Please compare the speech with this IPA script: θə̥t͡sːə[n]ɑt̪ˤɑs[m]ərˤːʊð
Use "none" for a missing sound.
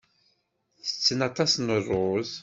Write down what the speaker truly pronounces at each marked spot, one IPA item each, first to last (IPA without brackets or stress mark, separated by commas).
n, n